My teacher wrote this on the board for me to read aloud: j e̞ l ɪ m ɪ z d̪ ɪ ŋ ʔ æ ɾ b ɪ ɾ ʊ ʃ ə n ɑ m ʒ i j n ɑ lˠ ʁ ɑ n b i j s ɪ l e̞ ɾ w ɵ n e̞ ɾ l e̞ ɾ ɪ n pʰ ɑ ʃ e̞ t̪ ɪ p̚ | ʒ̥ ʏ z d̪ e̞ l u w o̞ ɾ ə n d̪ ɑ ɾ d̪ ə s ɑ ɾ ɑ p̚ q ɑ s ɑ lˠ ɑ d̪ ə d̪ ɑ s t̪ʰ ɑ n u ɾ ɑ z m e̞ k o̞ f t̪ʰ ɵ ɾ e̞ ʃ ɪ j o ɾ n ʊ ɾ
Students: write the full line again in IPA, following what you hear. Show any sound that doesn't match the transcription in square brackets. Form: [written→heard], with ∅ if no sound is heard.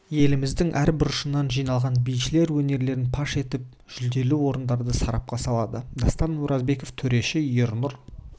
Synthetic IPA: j e̞ l ɪ m ɪ z d̪ ɪ ŋ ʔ æ ɾ b ɪ ɾ ʊ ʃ ə n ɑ [m→n] ʒ i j n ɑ lˠ ʁ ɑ n b i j [s→ʃ] ɪ l e̞ ɾ w ɵ n e̞ ɾ l e̞ ɾ ɪ n pʰ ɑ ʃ e̞ t̪ ɪ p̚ | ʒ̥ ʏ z d̪ e̞ l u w o̞ ɾ ə n d̪ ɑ ɾ d̪ ə s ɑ ɾ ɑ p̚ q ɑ s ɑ lˠ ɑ d̪ ə d̪ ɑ s [t̪ʰ→t̪] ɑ n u ɾ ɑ z [m→b] e̞ k o̞ f t̪ʰ ɵ ɾ e̞ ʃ ɪ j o ɾ n ʊ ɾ